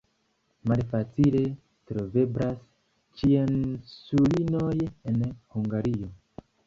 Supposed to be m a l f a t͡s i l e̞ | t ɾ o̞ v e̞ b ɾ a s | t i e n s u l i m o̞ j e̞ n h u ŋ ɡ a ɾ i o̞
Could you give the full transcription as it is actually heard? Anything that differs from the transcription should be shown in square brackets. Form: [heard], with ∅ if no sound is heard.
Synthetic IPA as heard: m a l f a t͡s i l e̞ | t ɾ o̞ v e̞ b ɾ a s | [t͡ʃ] i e n s u l i [n] o̞ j e̞ n h u ŋ ɡ a ɾ i o̞